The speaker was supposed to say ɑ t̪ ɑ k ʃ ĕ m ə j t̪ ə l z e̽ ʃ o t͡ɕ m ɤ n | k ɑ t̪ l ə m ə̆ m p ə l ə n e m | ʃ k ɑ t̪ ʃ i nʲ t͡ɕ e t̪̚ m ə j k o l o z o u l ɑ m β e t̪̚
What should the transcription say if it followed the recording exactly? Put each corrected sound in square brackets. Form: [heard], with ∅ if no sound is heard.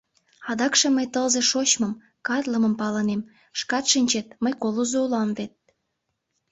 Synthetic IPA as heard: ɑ [d̪] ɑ k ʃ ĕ m ə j t̪ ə l z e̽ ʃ o t͡ɕ m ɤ [m] | k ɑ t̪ l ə m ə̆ m p [ɑ] l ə n e m | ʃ k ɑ t̪ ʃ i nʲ t͡ɕ e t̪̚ m ə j k o l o z o u l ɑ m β e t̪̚